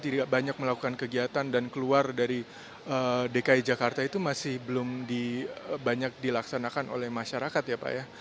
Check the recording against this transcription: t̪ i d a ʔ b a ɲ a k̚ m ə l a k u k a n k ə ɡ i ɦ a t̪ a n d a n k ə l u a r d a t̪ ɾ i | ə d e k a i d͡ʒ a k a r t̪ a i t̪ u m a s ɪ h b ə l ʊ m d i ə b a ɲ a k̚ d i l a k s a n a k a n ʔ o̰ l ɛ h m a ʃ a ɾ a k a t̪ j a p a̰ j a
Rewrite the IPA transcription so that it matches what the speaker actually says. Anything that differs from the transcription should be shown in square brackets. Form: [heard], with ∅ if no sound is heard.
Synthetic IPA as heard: t̪ i d a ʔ b a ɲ a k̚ m ə l a k u k a n k ə ɡ i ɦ a t̪ a n d a n k ə l u a r d a [∅] ɾ i | ə d e k a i d͡ʒ a k a r t̪ a i t̪ u m a s ɪ h b ə l ʊ m d i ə b a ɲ a k̚ d i l a k s a n a k a n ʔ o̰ l ɛ h m a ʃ a ɾ a k a t̪ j a p a̰ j a

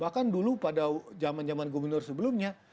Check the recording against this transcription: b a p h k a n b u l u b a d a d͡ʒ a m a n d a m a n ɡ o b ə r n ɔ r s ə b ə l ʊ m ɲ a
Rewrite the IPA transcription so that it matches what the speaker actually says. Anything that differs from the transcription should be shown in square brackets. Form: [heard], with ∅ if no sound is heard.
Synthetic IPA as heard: b a [∅] h k a n [d] u l u [p] a d a d͡ʒ a m a n [d͡ʒ] a m a n ɡ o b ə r n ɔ r s ə b ə l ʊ m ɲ a

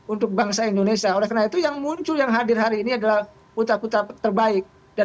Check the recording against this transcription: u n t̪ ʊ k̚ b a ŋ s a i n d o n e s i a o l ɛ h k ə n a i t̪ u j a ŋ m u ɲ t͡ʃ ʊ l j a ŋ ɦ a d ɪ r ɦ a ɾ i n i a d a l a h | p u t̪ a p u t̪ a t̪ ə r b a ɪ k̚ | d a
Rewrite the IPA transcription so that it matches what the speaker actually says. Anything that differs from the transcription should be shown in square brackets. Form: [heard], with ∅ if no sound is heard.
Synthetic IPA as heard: u n t̪ ʊ k̚ b a ŋ s a i n d o n e s i a o l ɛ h k ə n a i t̪ u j a ŋ m u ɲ t͡ʃ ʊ l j a ŋ ɦ a d ɪ r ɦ a ɾ [iː] n i a d a l a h | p u t̪ a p u t̪ a t̪ ə r b a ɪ k̚ | d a

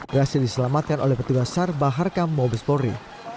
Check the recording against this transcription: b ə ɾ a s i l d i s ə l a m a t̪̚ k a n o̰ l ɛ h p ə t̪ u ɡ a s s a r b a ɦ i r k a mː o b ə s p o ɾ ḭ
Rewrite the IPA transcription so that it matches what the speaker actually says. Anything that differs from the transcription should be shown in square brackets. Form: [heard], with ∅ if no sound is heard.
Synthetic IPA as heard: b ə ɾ a s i l d i s ə l a m a t̪̚ k a n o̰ l ɛ h p ə t̪ u ɡ a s s a r b a ɦ [a] r k a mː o b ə s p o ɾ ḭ

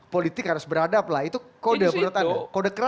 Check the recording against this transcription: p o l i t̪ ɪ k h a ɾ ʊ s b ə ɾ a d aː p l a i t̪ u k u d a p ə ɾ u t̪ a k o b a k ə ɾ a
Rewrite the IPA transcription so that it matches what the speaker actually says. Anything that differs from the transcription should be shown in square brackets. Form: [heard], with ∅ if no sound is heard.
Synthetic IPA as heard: p o l i t̪ ɪ k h a ɾ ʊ s b ə ɾ a d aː p l a i t̪ u k [o] d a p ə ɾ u t̪ a k o [d] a k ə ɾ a

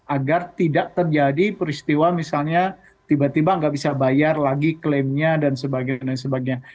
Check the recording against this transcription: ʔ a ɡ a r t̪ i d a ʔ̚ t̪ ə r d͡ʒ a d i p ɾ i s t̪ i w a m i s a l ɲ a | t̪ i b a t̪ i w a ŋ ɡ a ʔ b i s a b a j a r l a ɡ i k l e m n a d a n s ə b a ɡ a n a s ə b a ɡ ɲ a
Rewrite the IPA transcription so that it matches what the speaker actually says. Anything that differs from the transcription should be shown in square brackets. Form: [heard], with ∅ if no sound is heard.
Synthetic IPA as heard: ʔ a ɡ a r t̪ i d a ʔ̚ t̪ ə r d͡ʒ a d i p ɾ i s t̪ i w a m i s a l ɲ a | t̪ i b a t̪ i [b] a ŋ ɡ a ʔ b i s a b a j a r l a ɡ i k l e m [ɲ] a d a n s ə b a ɡ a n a s ə b a ɡ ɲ a

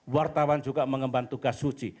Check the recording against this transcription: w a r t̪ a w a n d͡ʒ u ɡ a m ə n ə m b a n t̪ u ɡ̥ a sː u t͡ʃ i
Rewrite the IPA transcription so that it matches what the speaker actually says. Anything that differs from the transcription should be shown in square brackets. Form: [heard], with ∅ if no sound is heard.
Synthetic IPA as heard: w a r t̪ a w a n d͡ʒ u ɡ a m ə [ŋ] ə m b a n t̪ u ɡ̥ a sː u t͡ʃ i

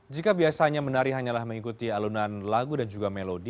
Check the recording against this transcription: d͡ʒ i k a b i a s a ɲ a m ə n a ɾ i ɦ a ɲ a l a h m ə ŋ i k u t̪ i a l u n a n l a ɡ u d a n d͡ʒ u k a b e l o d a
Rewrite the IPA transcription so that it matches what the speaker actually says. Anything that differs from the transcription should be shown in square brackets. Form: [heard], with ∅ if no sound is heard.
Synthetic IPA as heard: d͡ʒ i k a b i a s a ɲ a m ə n a ɾ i ɦ a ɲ a l a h m ə ŋ i k u t̪ i a l u n a n l a ɡ u d a n d͡ʒ u [ɡ] a [m] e l o d [i]

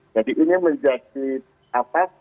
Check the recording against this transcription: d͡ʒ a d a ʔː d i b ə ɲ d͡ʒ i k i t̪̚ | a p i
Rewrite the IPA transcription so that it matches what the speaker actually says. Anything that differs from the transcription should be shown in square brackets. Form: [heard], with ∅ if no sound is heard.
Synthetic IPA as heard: d͡ʒ a d [i] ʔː [n] i [m] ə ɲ d͡ʒ [a] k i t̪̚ | a p [a]

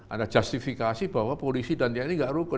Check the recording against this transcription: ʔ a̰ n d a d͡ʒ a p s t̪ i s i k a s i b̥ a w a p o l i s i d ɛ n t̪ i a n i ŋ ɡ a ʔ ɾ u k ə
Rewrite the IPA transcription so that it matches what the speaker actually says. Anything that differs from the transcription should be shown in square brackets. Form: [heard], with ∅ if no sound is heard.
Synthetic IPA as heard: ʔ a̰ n d a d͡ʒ a [∅] s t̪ i [f] i k a s i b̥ a w a p o l i s i d [a] n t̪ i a n i ŋ ɡ a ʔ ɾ u k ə

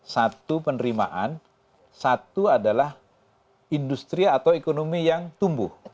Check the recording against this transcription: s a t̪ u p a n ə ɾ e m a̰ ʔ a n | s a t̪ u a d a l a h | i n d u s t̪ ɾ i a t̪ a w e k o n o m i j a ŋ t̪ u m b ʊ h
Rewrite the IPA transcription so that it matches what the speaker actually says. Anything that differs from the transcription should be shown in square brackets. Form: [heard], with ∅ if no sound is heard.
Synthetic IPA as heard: s a t̪ u p [ə] n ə ɾ [i] m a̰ ʔ a n | s a t̪ u a d a l a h | i n d u s t̪ ɾ i a t̪ a w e k o n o m i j a ŋ t̪ u m b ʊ h

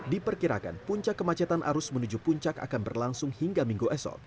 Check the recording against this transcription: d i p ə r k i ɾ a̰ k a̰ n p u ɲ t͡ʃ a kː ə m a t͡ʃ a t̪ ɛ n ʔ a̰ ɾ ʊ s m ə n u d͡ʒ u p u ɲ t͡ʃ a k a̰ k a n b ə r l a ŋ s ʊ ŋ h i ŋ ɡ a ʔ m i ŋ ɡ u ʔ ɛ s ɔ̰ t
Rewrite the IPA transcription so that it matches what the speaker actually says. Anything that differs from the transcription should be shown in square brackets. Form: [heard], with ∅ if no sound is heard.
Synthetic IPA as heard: d i p ə r k i ɾ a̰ k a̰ n p u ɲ t͡ʃ a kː ə m a t͡ʃ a t̪ [a] n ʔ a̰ ɾ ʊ s m ə n u d͡ʒ u p u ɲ t͡ʃ a k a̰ k a n b ə r l a ŋ s ʊ ŋ h i ŋ ɡ a [∅] m i ŋ ɡ u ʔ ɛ s ɔ̰ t

